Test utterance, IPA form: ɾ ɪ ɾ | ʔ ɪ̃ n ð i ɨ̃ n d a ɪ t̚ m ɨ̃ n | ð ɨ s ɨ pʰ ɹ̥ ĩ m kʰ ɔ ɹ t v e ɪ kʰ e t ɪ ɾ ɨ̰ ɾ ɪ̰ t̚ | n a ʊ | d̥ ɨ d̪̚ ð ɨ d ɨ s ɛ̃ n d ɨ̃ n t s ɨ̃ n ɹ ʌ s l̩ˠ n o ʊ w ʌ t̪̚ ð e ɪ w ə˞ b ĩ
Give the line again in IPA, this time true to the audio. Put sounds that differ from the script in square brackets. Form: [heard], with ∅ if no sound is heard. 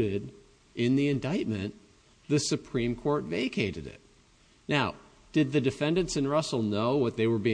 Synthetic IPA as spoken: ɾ ɪ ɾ | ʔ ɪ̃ n ð i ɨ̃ n d a ɪ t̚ m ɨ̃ n | ð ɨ s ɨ pʰ ɹ̥ ĩ m kʰ ɔ ɹ t v e ɪ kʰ e [∅] ɪ ɾ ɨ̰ ɾ ɪ̰ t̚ | n a ʊ | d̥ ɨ d̪̚ ð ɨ d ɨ [f] ɛ̃ n d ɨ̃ n t s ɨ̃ n ɹ ʌ s l̩ˠ n o ʊ w ʌ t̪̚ ð e ɪ w ə˞ b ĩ